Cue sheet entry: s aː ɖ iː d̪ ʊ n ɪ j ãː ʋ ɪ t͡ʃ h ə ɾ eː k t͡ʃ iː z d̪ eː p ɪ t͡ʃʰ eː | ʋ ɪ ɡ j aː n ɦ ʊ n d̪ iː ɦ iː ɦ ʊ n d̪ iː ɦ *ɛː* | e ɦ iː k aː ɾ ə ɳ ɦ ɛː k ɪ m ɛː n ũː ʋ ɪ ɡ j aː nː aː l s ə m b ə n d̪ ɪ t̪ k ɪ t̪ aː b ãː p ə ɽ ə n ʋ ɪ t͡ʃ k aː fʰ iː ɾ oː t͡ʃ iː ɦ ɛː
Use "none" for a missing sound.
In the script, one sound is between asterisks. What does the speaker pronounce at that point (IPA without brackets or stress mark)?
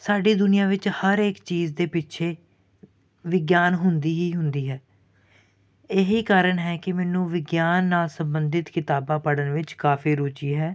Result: ɛː